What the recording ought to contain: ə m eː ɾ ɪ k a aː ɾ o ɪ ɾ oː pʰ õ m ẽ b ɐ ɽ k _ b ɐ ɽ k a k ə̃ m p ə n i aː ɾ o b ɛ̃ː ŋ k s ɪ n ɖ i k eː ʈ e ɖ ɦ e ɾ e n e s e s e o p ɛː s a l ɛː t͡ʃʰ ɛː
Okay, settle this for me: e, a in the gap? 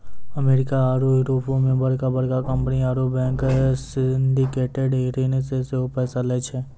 a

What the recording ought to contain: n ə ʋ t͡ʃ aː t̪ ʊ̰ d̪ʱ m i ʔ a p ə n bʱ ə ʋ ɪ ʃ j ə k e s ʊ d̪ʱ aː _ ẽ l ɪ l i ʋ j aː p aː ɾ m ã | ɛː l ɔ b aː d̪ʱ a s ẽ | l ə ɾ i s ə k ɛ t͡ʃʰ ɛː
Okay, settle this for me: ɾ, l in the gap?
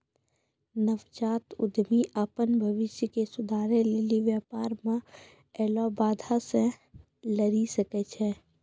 ɾ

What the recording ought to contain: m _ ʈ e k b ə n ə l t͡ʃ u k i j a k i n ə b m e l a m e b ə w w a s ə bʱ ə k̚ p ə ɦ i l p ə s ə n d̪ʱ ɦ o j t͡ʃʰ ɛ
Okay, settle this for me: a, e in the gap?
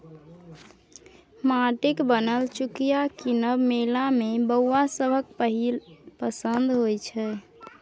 a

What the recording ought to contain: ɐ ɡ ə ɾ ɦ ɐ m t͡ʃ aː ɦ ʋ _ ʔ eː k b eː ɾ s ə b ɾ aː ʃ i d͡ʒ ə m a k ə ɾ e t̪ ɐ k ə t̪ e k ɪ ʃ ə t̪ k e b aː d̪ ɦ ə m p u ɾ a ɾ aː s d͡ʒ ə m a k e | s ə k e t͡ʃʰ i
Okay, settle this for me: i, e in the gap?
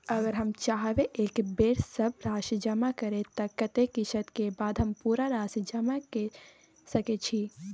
e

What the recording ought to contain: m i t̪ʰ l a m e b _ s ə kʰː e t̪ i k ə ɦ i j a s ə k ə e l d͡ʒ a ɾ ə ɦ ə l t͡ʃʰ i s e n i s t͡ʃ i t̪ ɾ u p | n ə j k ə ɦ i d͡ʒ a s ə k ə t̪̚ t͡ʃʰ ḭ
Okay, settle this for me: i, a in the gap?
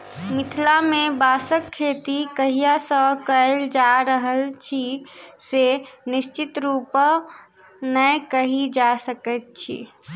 a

